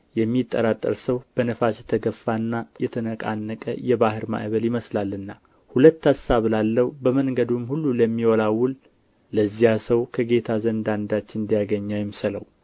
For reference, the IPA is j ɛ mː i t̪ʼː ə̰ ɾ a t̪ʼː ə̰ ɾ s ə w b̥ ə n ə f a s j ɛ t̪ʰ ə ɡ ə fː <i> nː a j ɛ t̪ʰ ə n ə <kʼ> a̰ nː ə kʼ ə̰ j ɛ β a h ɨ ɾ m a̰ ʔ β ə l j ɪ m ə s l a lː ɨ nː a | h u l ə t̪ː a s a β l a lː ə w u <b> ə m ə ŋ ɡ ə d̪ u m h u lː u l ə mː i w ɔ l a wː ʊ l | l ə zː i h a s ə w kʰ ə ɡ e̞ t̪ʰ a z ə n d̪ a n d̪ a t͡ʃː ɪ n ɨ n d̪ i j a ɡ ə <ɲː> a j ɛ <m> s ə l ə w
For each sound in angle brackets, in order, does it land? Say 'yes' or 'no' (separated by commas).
no, yes, yes, yes, yes